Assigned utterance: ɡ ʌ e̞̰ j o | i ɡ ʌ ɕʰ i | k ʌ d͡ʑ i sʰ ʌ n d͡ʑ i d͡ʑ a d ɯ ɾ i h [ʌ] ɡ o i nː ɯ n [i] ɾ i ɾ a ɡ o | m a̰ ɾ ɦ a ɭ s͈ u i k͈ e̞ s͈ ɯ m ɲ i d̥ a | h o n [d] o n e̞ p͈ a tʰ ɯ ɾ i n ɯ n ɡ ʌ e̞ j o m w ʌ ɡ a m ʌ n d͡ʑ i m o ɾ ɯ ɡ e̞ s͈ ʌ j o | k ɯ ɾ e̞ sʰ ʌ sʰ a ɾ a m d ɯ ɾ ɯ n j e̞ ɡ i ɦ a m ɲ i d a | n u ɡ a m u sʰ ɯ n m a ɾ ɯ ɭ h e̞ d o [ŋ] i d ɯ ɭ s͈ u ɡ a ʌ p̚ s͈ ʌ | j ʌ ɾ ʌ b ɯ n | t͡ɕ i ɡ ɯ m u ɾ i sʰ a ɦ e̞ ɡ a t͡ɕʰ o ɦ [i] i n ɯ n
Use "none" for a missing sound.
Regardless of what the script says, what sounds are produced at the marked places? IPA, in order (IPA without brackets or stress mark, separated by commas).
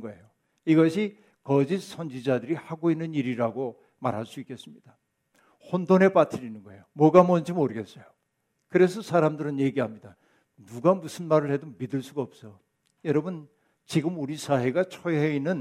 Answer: a, i, d, m, e